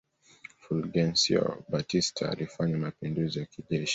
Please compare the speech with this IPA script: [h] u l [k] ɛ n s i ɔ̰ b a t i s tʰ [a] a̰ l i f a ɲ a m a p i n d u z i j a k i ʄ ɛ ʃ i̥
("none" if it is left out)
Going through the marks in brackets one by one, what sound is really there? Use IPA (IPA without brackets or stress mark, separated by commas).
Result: f, ɡ, a